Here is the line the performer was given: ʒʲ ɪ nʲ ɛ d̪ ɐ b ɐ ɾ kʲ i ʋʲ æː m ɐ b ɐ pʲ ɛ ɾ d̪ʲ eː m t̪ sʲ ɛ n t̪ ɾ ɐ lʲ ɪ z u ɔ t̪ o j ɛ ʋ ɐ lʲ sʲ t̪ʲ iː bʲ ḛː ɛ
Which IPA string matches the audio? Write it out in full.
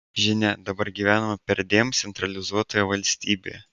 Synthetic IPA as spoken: ʒʲ ɪ nʲ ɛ d̪ ɐ b ɐ ɾ ɡʲ i ʋʲ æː n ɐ m ɐ pʲ ɛ ɾ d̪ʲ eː m t̪ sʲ ɛ n t̪ ɾ ɐ lʲ ɪ z u ɔ t̪ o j ɛ ʋ ɐ lʲ sʲ t̪ʲ iː bʲ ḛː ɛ